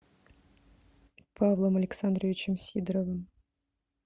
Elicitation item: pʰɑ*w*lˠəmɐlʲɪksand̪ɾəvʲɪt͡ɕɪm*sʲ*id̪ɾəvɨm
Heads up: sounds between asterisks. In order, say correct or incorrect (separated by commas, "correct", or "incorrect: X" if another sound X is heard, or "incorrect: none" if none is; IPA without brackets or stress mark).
incorrect: v, correct